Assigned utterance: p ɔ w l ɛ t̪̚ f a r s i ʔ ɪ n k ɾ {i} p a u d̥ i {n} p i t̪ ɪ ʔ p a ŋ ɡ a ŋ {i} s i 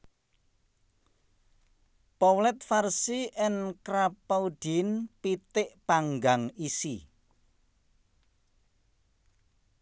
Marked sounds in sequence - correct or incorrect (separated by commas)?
incorrect, correct, correct